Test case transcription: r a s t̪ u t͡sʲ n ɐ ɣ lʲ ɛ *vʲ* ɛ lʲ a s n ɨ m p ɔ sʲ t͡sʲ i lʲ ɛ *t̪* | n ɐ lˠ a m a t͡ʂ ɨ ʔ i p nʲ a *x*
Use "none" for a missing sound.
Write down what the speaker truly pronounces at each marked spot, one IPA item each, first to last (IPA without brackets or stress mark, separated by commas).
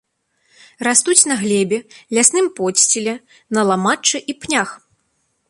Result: bʲ, none, x